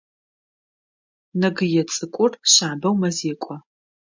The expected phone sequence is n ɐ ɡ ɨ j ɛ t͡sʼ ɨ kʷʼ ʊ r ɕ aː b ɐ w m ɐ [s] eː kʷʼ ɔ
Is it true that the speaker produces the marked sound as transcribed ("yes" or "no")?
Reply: no